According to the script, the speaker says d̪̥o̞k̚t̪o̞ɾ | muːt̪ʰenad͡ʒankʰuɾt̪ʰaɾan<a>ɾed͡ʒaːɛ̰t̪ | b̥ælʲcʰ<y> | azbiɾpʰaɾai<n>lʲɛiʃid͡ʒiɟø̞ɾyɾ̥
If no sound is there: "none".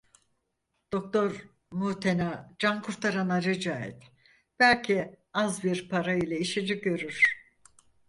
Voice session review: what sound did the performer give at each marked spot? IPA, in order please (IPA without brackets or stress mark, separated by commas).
a, i, none